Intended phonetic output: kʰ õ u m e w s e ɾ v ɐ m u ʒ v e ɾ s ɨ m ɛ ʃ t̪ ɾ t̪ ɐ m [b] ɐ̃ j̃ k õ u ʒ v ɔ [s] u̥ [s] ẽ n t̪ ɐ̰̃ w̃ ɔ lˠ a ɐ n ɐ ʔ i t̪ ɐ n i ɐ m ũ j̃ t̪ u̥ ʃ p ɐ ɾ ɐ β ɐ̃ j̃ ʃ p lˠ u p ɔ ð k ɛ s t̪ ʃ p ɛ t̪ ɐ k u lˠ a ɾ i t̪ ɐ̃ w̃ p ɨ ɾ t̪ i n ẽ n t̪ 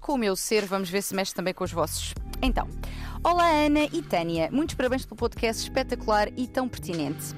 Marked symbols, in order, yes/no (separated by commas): yes, yes, no